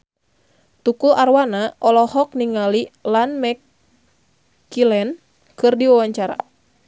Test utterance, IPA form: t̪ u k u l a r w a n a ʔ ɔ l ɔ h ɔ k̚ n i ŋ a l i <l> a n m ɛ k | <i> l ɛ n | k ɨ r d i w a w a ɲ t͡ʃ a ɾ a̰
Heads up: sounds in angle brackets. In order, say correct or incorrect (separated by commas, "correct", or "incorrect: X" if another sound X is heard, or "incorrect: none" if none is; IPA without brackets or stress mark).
correct, correct